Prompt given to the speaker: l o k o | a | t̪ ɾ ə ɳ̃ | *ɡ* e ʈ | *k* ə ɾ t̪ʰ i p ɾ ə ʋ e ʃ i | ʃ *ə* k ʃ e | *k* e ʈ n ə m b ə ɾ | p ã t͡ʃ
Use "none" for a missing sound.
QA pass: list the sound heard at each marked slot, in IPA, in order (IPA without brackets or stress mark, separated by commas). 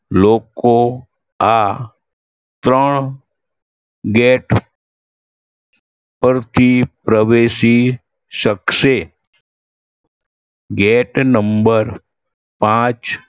ɡ, p, ə, ɡ